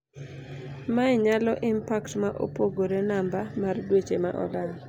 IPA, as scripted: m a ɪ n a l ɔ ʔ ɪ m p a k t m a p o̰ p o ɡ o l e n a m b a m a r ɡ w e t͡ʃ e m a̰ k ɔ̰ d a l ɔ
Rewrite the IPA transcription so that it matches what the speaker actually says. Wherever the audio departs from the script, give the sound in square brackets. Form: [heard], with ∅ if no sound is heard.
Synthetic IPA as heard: m a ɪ [ɲ] a l ɔ ʔ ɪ m p a k t m a [ʔ] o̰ p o ɡ o [ɾ] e n a m b a m a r [d] w e t͡ʃ e m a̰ [ʔ] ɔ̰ d a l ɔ